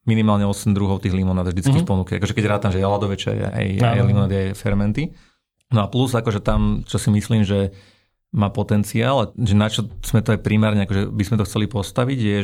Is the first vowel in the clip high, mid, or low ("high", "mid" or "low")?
high